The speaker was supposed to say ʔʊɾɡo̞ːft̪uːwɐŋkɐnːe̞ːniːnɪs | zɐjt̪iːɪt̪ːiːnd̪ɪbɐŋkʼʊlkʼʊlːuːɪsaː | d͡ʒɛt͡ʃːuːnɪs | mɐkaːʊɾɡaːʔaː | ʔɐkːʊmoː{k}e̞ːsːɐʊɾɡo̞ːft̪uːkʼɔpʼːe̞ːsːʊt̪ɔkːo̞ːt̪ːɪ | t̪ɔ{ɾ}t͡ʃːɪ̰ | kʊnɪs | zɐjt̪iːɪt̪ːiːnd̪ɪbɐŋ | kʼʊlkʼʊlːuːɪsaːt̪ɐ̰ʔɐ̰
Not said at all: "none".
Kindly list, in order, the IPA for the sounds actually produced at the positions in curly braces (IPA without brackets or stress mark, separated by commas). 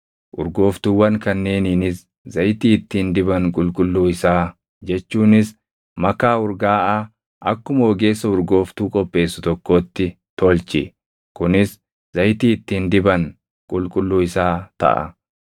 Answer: ɡ, l